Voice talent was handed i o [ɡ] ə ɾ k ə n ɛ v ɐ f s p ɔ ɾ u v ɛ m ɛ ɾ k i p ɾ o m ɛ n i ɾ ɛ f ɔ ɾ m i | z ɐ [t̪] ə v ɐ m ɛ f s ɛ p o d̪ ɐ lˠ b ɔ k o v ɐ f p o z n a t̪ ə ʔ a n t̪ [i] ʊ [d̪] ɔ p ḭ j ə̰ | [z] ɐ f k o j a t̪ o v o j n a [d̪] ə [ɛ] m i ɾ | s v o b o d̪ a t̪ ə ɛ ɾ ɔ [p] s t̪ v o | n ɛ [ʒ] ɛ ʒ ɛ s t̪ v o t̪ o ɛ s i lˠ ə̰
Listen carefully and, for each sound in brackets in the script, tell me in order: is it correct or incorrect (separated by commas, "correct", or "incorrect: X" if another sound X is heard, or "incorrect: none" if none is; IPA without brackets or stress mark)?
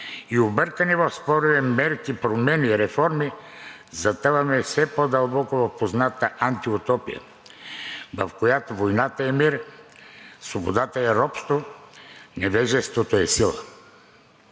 incorrect: b, correct, correct, incorrect: t̪, incorrect: v, incorrect: t̪, correct, correct, incorrect: v